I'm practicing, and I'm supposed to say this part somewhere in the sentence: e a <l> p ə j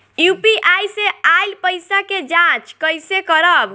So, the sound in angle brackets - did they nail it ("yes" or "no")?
yes